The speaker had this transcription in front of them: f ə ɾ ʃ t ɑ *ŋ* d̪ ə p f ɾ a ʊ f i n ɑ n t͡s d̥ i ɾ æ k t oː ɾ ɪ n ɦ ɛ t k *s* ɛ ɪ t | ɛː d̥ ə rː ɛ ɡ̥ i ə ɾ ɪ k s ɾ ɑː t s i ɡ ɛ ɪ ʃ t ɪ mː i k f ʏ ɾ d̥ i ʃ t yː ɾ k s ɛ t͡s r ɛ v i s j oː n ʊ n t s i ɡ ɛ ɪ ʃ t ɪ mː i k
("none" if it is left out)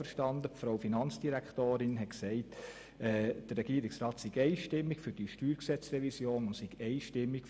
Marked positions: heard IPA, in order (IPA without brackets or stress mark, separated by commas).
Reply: n, s